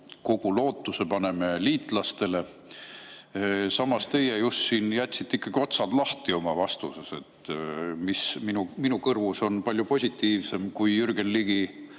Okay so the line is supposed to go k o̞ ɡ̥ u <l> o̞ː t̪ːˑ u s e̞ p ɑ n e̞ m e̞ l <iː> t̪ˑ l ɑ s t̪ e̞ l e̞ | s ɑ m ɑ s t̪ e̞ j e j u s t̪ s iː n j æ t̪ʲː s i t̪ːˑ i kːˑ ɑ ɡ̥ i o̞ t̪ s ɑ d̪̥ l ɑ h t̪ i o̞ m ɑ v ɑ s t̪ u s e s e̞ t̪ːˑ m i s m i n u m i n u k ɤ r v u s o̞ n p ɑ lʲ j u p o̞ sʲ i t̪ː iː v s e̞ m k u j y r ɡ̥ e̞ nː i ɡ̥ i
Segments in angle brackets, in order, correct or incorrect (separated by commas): correct, correct